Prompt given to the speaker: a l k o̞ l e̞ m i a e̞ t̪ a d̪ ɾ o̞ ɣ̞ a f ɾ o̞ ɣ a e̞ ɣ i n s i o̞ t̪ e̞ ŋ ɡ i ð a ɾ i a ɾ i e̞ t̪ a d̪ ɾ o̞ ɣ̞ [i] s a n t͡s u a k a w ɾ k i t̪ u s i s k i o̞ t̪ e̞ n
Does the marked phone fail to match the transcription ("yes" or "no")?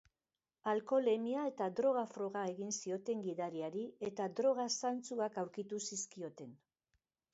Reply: yes